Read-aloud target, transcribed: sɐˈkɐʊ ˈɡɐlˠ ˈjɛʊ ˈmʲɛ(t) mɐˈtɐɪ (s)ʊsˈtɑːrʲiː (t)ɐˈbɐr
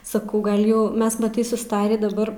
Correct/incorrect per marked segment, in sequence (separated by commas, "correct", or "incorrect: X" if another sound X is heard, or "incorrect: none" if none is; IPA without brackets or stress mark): incorrect: s, correct, incorrect: d